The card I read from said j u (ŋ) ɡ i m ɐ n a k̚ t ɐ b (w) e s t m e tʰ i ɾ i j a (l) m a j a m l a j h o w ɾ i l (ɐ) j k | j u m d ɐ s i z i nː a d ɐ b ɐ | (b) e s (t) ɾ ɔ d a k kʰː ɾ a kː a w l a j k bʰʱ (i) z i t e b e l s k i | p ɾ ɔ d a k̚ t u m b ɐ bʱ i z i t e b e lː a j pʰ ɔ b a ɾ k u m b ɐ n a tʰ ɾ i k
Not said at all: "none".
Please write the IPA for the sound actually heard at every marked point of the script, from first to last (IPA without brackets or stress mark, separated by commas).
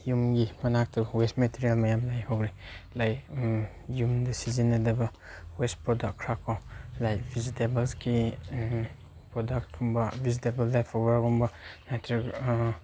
m, w, l, a, w, p, i